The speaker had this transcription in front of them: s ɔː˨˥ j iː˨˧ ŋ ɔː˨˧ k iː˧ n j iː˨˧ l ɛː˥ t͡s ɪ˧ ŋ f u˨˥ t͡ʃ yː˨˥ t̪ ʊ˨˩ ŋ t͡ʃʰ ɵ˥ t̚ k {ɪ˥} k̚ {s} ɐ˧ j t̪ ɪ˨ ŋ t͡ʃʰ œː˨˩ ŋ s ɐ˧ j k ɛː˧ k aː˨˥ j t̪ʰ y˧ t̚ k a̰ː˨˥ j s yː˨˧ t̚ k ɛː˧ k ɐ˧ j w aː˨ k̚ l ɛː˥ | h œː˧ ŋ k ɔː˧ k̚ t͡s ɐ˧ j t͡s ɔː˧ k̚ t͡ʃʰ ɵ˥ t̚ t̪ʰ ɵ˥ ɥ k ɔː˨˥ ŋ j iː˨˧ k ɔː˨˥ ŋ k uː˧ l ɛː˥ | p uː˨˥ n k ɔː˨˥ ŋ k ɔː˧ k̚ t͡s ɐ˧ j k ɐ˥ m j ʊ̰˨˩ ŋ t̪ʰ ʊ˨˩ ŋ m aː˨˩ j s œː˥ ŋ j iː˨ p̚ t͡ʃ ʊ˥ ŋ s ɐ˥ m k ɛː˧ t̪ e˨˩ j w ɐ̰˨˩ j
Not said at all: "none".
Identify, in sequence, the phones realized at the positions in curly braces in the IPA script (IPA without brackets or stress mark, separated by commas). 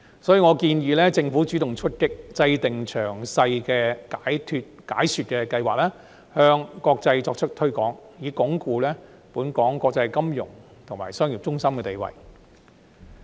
ɪ˥, t͡s